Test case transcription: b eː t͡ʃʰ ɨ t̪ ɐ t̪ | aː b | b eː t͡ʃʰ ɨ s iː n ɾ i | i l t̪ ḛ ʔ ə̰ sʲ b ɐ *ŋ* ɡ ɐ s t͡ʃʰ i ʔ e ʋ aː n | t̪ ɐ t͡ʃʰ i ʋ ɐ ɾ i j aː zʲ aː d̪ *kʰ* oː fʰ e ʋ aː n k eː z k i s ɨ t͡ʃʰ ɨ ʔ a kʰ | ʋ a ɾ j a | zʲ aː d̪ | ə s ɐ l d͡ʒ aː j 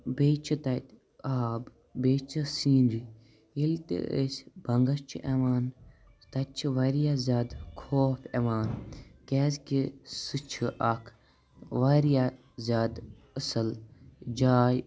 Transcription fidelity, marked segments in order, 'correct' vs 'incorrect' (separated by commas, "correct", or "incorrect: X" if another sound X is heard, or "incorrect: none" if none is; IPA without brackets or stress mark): correct, correct